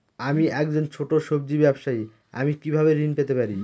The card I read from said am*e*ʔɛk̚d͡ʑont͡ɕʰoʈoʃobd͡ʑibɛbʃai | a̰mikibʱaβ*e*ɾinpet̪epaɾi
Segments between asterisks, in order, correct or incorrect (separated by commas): incorrect, correct